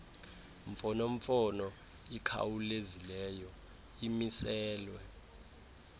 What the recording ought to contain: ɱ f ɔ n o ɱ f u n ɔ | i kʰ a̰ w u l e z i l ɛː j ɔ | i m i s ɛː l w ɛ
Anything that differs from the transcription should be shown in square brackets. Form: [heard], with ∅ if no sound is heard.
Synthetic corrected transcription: ɱ f ɔ n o ɱ f [ɔ] n ɔ | i kʰ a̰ w u l e z i l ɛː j ɔ | i m i s ɛː l w ɛ